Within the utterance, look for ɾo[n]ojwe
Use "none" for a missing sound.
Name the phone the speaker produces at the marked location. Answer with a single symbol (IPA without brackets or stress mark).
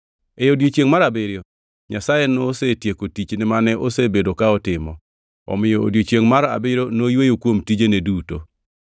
n